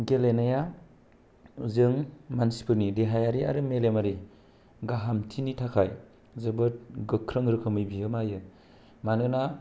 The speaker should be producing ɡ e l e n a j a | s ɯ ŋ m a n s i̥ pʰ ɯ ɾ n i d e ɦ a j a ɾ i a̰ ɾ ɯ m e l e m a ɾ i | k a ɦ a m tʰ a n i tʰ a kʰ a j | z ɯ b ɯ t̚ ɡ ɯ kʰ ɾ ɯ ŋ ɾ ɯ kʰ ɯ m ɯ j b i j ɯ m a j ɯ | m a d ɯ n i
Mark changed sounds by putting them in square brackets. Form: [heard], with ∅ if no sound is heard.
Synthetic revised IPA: ɡ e l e n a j a | [z] ɯ ŋ m a n s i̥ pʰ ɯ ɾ n i d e ɦ a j a ɾ i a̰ ɾ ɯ m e l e m a ɾ i | [ɡ] a ɦ a m tʰ [i] n i tʰ a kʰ a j | z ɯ b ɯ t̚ ɡ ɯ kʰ ɾ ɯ ŋ ɾ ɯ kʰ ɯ m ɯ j b i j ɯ m a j ɯ | m a [n] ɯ n [a]